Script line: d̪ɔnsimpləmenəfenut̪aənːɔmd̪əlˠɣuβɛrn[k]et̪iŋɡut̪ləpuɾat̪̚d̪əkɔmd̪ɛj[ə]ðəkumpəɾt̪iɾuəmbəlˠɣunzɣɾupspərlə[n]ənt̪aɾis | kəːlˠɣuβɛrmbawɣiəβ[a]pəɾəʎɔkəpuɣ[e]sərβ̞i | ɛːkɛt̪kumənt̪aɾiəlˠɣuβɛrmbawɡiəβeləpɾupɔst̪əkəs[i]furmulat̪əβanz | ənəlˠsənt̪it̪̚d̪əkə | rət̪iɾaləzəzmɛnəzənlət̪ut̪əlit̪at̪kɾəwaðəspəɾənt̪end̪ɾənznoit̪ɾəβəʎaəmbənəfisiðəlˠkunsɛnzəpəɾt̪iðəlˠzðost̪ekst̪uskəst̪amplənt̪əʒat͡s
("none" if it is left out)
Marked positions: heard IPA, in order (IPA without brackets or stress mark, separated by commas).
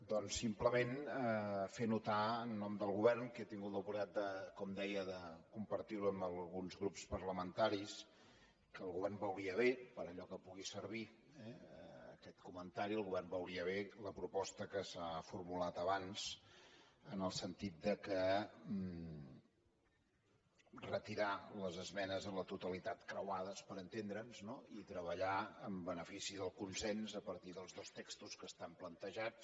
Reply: k, ə, m, e, i, a